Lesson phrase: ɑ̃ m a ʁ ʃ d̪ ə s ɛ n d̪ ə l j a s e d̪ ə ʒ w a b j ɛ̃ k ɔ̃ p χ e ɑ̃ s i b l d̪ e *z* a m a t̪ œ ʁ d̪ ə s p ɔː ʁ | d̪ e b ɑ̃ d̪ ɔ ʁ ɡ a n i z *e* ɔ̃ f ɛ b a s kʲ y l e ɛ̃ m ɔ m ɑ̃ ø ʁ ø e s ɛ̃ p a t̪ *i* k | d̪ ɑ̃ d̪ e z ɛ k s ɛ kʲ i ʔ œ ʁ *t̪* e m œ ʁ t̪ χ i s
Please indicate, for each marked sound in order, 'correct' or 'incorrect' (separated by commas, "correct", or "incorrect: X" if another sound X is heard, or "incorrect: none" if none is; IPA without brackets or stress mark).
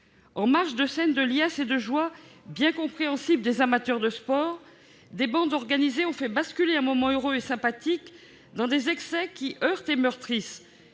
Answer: correct, correct, correct, correct